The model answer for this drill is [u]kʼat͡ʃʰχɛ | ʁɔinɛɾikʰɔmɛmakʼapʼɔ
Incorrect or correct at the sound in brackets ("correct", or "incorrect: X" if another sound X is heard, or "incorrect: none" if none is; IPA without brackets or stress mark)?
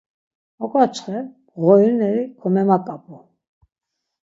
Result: incorrect: ɔ